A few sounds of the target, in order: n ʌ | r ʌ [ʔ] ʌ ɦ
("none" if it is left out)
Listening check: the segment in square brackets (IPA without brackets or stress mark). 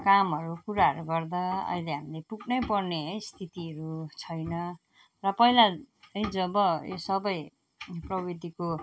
p